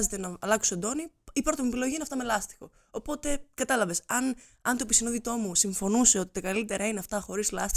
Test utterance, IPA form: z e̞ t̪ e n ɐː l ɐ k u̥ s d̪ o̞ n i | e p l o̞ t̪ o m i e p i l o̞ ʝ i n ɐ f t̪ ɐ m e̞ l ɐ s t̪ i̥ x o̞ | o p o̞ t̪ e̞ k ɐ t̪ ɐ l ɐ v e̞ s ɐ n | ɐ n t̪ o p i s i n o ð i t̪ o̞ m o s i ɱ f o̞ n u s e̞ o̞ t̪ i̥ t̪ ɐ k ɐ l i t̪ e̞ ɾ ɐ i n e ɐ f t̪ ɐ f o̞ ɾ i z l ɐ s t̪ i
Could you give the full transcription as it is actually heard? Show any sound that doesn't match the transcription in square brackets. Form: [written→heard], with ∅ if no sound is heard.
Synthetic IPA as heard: z e̞ t̪ e n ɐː l ɐ k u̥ s d̪ o̞ n i | [e→i] p [l→ɾ] o̞ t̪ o m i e p i l o̞ ʝ i n ɐ f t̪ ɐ m e̞ l ɐ s t̪ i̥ x o̞ | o p o̞ t̪ e̞ k ɐ t̪ ɐ l ɐ v e̞ s ɐ n | ɐ n t̪ o p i s i n o ð i t̪ o̞ m [o→u] s i ɱ f o̞ n u s e̞ o̞ t̪ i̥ t̪ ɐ k ɐ l i t̪ e̞ ɾ ɐ i n e ɐ f t̪ ɐ [f→x] o̞ ɾ i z l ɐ s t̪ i